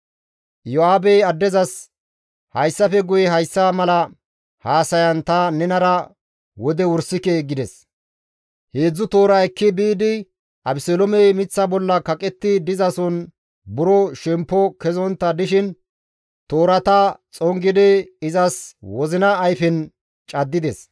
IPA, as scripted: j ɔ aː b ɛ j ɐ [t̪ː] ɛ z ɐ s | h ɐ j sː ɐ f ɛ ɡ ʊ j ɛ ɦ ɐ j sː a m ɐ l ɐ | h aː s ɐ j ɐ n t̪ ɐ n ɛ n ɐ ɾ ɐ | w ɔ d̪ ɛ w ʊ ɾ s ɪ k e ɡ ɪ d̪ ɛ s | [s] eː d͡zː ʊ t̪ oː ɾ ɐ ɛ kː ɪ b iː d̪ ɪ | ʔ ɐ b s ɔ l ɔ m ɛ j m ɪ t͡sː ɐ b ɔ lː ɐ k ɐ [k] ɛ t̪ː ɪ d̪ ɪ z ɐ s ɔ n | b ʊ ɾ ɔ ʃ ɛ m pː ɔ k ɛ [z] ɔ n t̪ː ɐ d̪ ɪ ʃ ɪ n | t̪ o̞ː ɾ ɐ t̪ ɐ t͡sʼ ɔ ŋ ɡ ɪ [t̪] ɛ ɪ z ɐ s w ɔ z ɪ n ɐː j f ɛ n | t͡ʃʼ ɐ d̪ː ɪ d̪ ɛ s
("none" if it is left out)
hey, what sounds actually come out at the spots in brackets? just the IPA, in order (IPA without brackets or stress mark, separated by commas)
d̪ː, h, kʼ, z, d̪